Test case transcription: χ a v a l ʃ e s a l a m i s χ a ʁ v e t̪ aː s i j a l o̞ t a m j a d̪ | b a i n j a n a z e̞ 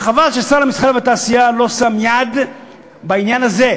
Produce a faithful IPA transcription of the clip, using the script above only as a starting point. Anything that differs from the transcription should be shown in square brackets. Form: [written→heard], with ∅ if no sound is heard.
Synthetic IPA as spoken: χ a v a l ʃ e s a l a m i s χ a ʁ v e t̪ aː s i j a l o̞ [t→s] a m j a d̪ | b a i n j a n a z e̞

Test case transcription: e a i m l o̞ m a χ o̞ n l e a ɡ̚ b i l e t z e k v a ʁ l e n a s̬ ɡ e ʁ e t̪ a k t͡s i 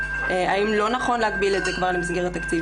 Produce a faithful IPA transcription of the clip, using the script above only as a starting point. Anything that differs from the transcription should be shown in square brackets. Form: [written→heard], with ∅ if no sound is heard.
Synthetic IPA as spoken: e a i m l o̞ [m→n] a χ o̞ n l e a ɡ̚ b i l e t z e k v a ʁ l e [n→m] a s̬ ɡ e ʁ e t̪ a k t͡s i

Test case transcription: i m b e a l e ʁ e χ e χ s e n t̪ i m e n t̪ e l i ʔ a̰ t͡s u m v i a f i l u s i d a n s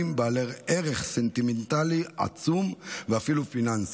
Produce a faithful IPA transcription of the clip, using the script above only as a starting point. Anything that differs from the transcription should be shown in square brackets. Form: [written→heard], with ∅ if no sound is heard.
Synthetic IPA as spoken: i m b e a l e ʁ e [χ→ʁ] e χ s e n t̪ i m e n t̪ [e→a] l i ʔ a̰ t͡s u m v [i→e] a f i l u [s→f] i [d→n] a n s

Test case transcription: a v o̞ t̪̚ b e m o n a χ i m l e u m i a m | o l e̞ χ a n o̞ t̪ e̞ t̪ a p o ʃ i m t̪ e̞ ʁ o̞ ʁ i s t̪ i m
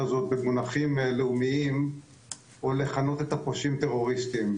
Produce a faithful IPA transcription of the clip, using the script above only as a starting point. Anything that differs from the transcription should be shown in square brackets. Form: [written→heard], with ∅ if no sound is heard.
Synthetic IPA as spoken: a [v→z] o̞ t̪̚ b e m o n a χ i m l e u m i [a→i] m | o l e̞ χ a n o̞ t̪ e̞ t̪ a p o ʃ i m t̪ e̞ ʁ o̞ ʁ i s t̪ i m

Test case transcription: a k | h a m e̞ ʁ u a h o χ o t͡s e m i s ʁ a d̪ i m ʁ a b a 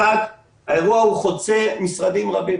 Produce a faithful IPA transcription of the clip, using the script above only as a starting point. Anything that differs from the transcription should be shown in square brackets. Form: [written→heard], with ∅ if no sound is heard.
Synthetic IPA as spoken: a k | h a [m→∅] e̞ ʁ u a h [o→u] χ o t͡s e m i s ʁ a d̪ i m ʁ a b [a→i]

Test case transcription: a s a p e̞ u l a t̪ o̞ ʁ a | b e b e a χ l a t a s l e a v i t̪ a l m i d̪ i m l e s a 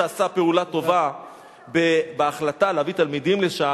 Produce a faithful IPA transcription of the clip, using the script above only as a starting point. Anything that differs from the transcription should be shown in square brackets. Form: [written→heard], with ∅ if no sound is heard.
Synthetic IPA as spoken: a s a p e̞ u l a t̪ o̞ [ʁ→v] a | b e b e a χ l a t a [s→∅] l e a v i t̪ a l m i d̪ i m l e [s→ʃ] a

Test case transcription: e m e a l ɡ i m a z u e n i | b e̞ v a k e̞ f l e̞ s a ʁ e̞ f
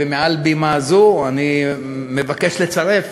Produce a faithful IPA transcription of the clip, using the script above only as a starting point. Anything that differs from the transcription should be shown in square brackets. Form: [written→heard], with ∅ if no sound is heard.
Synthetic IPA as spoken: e m e a l [ɡ→b] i m a z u [e→a] n i | [b→m] e̞ v a k e̞ [f→ʃ] l e̞ [s→t͡s] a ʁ e̞ f

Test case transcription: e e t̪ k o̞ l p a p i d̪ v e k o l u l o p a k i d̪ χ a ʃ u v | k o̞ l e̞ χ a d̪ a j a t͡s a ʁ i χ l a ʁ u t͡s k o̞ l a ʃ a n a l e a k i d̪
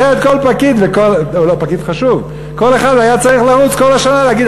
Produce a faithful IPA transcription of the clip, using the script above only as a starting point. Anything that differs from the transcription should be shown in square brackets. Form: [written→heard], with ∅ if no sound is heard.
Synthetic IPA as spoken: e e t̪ k o̞ l p a [p→k] i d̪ v e k o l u l o p a k i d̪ χ a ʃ u v | k o̞ l e̞ χ a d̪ a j a t͡s a ʁ i χ l a ʁ u t͡s k o̞ l a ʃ a n a l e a [k→ɡ] i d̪

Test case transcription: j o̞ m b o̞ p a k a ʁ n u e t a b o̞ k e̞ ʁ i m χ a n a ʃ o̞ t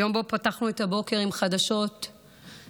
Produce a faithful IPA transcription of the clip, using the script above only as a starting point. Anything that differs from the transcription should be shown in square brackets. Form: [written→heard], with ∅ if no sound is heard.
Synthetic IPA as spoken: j o̞ m b o̞ p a [k→t] a [ʁ→χ] n u e t a b o̞ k e̞ ʁ i m χ a [n→d] a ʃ o̞ t

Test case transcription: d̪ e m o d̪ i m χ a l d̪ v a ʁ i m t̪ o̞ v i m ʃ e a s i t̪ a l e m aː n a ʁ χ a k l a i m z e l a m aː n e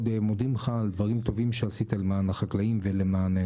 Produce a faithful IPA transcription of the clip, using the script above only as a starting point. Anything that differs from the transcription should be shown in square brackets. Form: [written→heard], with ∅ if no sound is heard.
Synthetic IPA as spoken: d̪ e m o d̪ i m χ a l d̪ v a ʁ i m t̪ o̞ v i m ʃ e a s i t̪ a l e m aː n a [ʁ→∅] χ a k l a i m [z→v] e l [a→e] m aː n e

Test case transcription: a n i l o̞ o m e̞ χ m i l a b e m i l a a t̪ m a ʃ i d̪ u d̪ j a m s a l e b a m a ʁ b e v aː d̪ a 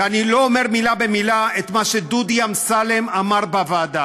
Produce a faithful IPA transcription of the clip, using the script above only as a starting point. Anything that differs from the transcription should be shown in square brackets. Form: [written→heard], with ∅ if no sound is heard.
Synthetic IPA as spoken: a n i l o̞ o m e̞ [χ→ʁ] m i l a b e m i l a [a→e] t̪ m a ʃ [i→e] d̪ u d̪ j a m s a l e [b→m] a m a ʁ b [e→a] v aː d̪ a

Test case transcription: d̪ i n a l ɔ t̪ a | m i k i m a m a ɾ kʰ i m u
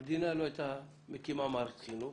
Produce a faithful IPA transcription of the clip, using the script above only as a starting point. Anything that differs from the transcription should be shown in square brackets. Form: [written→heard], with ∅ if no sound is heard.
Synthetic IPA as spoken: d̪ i n a l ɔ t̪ a | m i k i m a m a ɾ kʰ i [m→n] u

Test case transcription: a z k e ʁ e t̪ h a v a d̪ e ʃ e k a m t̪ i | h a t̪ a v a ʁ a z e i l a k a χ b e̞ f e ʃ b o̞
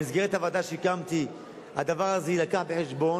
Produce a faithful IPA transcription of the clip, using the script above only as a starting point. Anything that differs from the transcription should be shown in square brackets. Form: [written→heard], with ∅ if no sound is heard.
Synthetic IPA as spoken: [a→i] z [k→ɡ] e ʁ e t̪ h a v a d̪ [e→a] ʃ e k a m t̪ i | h a [t̪→d̪] a v a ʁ a z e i l a k a [χ→ħ] b e̞ [f→ħ] e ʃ b o̞

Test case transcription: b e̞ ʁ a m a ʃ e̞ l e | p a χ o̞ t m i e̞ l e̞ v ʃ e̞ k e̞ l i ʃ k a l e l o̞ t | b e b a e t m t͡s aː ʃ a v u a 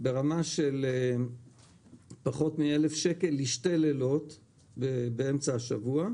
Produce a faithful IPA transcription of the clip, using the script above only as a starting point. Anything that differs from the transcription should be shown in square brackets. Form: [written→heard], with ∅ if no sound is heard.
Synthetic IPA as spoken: b e̞ ʁ a m a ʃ e̞ l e | p a χ o̞ t m i e̞ l e̞ [v→f] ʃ e̞ k e̞ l i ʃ [k→t] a l e l o̞ t | b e b [a→e] e [t→∅] m t͡s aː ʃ a v u a

